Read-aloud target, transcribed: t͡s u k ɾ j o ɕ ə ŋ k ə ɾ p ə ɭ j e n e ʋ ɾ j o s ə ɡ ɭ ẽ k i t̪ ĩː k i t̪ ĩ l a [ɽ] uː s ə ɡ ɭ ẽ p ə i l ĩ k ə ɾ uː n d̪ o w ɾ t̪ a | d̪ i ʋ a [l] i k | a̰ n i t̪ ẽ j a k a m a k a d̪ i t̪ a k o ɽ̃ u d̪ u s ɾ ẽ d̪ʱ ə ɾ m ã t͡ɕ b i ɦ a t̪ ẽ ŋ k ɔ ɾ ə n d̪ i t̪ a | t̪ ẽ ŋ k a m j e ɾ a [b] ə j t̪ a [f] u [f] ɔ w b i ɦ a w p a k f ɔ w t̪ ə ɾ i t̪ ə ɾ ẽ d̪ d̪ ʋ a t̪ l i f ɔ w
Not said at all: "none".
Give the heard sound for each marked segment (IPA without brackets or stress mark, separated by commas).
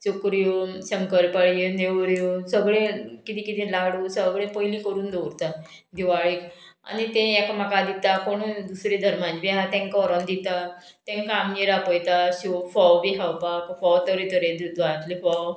ɽ, ɭ, p, ɕ, f